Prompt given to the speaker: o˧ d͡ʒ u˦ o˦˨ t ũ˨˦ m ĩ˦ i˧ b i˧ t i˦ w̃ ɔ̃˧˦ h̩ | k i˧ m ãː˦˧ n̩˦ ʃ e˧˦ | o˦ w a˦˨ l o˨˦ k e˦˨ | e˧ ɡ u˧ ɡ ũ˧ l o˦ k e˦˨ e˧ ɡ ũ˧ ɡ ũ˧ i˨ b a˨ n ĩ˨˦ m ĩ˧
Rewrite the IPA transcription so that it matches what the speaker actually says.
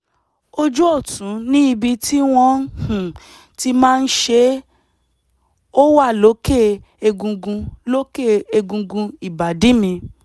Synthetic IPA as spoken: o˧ d͡ʒ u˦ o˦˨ t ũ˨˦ n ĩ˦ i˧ b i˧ t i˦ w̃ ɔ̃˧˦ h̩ | t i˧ m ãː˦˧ n̩˦ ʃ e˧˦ | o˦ w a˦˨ l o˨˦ k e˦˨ | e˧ ɡ ũ˧ ɡ ũ˧ l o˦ k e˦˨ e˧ ɡ ũ˧ ɡ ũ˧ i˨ b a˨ d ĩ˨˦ m ĩ˧